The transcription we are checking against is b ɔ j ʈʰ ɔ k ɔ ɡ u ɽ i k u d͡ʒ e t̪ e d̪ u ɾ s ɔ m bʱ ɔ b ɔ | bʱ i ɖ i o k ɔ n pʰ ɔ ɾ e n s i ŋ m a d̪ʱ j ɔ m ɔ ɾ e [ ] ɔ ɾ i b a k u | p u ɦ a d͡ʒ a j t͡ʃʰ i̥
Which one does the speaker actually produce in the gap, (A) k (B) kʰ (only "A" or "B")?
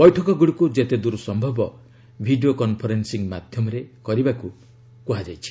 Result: A